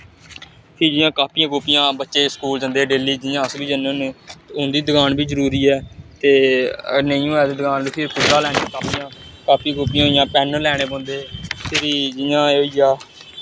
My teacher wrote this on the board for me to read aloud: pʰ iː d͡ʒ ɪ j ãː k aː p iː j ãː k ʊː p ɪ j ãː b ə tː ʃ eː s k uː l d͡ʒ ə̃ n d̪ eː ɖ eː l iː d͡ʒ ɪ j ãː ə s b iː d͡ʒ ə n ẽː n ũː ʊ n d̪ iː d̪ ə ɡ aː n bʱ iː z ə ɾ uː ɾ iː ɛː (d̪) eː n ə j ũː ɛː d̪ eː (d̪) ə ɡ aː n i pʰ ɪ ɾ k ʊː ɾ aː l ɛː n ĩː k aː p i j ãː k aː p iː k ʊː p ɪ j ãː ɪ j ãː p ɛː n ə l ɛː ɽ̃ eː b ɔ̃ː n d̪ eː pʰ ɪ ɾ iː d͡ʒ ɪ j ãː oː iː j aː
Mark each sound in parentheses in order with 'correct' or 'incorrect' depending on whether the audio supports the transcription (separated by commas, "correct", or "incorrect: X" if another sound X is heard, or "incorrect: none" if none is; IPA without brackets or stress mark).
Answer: incorrect: t̪, correct